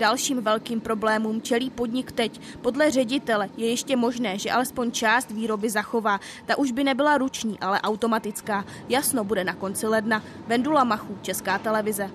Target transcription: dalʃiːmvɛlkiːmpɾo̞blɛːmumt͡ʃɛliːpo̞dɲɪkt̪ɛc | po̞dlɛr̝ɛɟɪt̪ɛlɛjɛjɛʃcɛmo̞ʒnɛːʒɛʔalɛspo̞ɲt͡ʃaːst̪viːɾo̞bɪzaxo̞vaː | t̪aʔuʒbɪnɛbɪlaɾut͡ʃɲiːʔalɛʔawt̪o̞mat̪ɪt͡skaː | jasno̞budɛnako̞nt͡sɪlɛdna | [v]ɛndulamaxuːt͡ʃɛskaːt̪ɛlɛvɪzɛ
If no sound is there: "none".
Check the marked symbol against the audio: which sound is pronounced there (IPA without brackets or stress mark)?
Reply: v